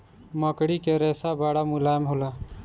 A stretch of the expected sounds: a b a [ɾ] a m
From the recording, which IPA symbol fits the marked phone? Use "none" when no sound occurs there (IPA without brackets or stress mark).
ɽ